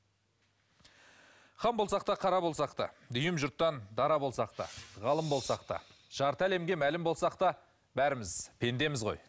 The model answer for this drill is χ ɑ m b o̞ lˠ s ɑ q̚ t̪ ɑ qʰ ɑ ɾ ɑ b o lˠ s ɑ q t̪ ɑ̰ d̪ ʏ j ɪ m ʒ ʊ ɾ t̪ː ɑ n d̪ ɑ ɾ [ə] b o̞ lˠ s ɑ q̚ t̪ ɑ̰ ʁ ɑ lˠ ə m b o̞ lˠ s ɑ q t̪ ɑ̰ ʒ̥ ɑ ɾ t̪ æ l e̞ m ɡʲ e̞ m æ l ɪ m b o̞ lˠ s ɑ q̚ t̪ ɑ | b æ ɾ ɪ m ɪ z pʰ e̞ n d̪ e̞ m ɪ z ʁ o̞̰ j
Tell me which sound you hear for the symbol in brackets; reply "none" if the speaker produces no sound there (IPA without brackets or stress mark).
ɑ